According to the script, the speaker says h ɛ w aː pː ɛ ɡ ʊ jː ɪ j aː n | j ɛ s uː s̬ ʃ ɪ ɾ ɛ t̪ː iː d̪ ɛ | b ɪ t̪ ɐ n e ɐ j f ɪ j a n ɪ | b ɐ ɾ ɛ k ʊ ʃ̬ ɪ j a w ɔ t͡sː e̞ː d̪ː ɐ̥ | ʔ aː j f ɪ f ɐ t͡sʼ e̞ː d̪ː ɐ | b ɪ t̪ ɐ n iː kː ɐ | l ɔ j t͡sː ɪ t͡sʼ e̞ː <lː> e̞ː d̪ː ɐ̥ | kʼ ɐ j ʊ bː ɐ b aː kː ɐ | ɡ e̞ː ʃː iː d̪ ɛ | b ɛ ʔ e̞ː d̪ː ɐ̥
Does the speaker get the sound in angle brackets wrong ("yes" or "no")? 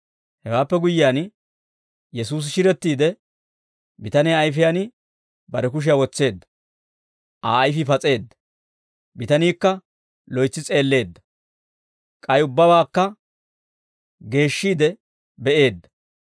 no